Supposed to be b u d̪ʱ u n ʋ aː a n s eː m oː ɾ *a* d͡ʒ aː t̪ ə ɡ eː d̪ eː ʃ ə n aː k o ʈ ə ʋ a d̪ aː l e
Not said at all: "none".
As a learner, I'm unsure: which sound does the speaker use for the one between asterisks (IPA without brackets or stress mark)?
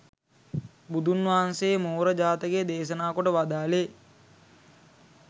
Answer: ə